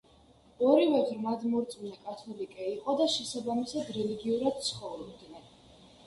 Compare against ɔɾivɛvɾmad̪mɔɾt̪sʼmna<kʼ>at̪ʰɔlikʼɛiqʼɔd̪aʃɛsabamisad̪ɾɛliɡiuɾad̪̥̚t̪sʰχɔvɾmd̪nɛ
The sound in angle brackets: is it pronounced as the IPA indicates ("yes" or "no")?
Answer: yes